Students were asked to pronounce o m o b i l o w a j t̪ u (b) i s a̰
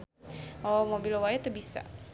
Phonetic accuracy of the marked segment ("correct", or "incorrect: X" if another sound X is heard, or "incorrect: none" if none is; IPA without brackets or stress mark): correct